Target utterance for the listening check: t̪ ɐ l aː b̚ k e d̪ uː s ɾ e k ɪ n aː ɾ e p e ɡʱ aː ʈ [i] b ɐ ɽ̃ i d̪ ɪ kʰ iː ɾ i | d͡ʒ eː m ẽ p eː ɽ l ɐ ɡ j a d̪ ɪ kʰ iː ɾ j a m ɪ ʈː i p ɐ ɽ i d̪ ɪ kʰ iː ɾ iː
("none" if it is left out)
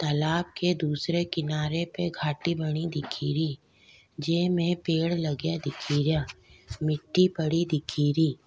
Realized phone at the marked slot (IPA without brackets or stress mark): i